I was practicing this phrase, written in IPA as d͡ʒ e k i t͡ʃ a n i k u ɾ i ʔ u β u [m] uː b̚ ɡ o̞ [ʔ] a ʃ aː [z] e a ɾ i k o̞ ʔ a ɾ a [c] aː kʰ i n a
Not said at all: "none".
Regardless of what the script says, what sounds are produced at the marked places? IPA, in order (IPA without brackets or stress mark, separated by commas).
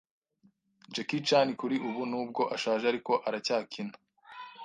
n, ʔ, ʒ, c